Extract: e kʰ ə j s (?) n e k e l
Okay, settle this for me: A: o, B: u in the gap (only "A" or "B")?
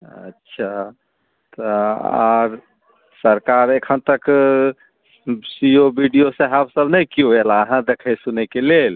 B